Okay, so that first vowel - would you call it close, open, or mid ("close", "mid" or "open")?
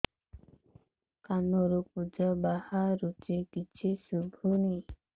open